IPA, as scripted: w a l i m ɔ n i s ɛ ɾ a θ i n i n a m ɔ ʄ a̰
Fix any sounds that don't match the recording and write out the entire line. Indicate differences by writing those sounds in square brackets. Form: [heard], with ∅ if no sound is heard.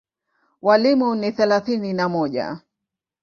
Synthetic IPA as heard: w a l i m [u] n i [θ] ɛ [l] a θ i n i n a m ɔ ʄ a̰